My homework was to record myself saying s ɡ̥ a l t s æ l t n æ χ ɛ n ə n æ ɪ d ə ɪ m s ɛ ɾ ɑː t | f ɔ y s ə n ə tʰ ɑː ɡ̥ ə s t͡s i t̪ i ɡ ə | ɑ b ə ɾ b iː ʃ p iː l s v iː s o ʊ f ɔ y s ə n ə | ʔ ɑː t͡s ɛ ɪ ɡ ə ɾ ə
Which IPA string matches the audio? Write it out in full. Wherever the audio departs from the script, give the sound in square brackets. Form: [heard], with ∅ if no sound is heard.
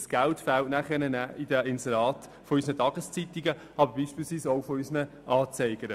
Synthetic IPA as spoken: s ɡ̥ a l t [f] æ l t n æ χ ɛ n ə n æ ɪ d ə ɪ [n] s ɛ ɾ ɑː t | f ɔ y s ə n ə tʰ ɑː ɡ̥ ə s t͡s i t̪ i ɡ ə | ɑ b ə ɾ b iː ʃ p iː l s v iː s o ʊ f ɔ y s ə n ə | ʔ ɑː t͡s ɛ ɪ ɡ ə ɾ ə